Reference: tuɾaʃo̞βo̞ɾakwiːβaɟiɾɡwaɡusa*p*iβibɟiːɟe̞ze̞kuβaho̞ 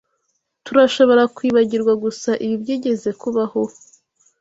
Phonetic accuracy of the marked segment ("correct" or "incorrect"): incorrect